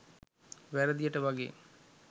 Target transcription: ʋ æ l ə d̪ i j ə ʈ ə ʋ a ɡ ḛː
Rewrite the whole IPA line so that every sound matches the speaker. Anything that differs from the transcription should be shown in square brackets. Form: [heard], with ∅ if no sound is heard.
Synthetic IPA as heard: ʋ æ [ɾ] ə d̪ i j ə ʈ ə ʋ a ɡ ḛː